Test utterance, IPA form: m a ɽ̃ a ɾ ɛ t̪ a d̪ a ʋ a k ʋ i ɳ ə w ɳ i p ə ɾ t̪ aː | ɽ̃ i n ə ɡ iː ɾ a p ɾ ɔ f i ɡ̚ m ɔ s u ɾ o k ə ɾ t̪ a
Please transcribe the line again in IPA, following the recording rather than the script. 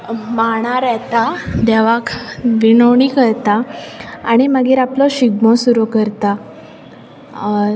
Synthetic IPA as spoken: m a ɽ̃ a ɾ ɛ t̪ a d̪ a ʋ a k ʋ i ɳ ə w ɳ i k ə ɾ t̪ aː | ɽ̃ i m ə ɡ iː ɾ a p l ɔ ɕ i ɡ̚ m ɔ s u ɾ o k ə ɾ t̪ a